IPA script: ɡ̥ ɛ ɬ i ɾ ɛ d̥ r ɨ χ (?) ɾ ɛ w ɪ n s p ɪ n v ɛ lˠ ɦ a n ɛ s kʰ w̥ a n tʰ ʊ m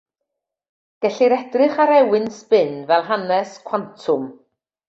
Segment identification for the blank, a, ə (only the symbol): a